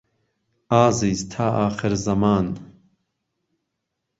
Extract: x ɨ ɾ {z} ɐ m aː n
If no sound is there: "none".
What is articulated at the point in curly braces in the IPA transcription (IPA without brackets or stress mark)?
z